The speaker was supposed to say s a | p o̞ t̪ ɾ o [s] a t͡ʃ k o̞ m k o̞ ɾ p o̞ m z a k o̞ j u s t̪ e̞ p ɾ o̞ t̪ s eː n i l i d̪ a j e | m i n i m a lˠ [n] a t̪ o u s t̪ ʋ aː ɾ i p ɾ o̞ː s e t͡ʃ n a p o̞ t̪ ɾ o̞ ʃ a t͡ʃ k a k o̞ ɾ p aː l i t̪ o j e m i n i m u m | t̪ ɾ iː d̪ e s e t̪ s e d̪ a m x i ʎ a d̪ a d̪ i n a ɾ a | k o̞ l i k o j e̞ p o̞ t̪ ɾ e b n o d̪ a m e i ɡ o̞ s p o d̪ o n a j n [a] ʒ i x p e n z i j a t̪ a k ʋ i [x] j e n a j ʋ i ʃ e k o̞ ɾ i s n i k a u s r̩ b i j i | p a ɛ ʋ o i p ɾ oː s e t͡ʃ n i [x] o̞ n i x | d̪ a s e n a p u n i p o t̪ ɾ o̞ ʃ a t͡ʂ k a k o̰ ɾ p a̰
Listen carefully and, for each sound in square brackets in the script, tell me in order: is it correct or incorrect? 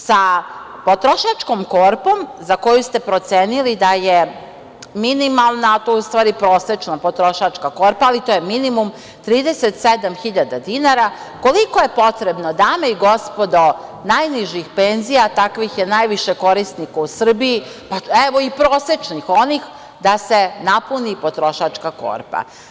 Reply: incorrect: ʃ, correct, incorrect: i, correct, correct

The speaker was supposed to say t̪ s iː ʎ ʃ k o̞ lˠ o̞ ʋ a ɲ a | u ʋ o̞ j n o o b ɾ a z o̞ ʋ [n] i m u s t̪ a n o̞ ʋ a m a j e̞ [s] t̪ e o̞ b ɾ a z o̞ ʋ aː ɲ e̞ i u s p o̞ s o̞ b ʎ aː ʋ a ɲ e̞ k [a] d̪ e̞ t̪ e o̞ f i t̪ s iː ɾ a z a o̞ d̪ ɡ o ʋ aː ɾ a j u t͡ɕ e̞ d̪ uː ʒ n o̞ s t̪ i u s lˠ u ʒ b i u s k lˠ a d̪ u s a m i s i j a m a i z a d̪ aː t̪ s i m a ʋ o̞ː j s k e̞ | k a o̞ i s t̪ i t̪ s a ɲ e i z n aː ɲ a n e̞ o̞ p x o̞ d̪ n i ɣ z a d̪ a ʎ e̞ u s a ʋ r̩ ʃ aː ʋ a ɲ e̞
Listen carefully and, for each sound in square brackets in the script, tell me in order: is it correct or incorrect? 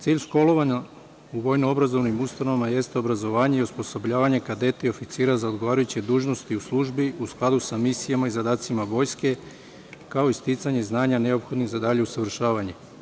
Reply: correct, correct, correct

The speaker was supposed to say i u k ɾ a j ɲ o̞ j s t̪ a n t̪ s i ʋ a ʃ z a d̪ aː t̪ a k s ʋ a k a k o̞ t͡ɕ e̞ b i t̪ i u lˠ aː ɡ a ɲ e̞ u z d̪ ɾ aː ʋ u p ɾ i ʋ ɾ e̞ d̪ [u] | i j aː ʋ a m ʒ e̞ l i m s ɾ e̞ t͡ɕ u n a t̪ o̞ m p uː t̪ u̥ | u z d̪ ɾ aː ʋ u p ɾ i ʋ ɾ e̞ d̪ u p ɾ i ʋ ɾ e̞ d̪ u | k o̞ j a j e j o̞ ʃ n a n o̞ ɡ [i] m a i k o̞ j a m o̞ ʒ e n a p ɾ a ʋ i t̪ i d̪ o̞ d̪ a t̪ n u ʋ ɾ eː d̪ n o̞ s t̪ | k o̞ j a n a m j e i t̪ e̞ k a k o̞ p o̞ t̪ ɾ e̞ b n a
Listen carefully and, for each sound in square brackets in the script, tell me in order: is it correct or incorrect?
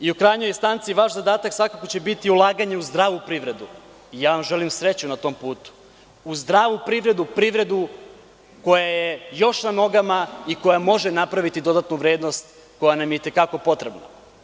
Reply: correct, incorrect: a

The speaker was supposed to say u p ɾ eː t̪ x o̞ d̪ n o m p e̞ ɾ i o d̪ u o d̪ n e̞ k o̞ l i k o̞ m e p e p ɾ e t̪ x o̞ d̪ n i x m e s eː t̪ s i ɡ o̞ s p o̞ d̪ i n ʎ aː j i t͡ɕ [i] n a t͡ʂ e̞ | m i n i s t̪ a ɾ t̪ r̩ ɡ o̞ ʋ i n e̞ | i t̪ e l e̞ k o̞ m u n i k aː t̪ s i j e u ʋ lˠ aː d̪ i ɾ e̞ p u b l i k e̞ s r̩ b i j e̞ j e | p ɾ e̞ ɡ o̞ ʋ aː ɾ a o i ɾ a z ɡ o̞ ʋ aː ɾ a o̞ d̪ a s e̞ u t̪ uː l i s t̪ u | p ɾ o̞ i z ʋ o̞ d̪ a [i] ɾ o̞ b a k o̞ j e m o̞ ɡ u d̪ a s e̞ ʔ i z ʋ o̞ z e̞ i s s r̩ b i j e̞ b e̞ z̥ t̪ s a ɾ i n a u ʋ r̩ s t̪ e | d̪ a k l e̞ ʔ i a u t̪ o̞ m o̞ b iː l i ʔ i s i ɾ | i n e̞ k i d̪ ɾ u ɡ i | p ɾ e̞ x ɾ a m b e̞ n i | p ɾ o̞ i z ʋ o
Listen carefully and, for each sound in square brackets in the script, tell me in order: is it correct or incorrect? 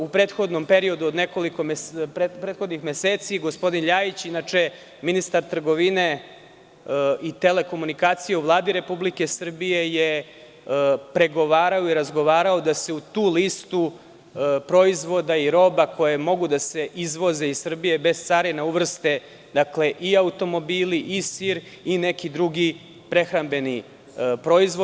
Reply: correct, correct

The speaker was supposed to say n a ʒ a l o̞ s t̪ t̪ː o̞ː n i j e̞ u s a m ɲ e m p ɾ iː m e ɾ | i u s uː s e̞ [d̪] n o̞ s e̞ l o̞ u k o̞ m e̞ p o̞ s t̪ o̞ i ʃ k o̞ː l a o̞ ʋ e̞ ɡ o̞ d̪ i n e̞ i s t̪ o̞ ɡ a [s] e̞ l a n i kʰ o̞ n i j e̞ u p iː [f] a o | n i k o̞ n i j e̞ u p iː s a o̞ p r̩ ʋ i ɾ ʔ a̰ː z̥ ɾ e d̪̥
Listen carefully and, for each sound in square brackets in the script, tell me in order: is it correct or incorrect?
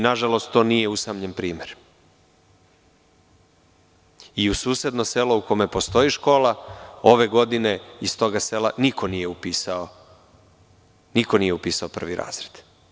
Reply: correct, correct, incorrect: s

